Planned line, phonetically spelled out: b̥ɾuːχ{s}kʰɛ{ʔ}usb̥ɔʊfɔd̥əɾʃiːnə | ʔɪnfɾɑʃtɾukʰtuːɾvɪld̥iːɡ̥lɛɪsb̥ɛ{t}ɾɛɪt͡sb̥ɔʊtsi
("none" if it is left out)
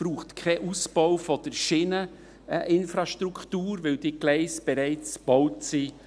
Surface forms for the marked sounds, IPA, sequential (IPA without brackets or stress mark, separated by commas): t, ʔ, none